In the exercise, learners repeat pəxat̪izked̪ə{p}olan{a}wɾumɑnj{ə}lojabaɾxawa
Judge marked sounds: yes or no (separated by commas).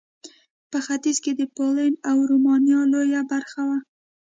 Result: yes, yes, no